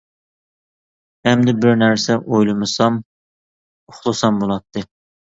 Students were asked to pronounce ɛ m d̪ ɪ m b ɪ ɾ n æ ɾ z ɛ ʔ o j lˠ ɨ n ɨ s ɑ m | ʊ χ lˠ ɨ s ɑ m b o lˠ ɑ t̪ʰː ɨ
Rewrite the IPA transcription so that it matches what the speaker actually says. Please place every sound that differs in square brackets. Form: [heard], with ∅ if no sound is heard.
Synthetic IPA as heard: ɛ m d̪ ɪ [∅] b ɪ ɾ n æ ɾ [s] ɛ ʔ o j lˠ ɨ [m] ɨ s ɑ m | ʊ χ lˠ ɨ s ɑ m b o lˠ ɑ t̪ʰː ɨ